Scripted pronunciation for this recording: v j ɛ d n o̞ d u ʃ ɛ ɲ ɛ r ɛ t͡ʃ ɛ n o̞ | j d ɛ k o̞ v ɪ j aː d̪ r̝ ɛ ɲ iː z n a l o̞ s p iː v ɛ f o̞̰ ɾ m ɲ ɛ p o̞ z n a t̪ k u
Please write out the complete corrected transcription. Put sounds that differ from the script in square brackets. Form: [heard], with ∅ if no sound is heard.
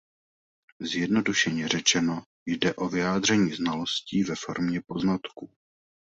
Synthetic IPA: [z] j ɛ d n o̞ d u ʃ ɛ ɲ ɛ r ɛ t͡ʃ ɛ n o̞ | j d ɛ [ʔ] o̞ v ɪ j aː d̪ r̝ ɛ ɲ iː z n a l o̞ s [c] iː v ɛ f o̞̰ ɾ m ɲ ɛ p o̞ z n a t̪ k u